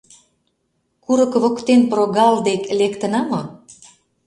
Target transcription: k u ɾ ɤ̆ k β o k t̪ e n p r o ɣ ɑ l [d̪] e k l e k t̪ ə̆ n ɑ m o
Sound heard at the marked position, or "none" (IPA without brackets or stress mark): d̪